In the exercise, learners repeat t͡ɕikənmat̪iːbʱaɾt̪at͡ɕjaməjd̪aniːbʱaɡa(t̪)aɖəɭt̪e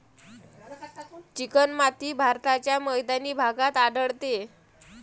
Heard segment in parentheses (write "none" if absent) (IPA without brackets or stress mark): t̪